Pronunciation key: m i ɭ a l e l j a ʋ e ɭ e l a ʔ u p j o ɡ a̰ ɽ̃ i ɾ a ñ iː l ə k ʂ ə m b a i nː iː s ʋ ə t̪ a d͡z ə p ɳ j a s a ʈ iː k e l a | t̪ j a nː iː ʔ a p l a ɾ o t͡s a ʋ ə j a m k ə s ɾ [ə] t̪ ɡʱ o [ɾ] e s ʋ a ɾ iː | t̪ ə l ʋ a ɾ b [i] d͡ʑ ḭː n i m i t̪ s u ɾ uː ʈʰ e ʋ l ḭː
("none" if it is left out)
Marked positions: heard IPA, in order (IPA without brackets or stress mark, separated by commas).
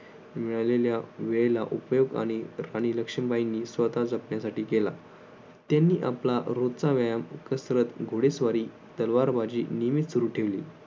ə, ɽ, a